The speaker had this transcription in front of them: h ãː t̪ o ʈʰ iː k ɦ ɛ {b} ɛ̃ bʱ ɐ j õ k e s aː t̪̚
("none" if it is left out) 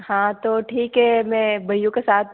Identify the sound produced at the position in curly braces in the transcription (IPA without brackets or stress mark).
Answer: m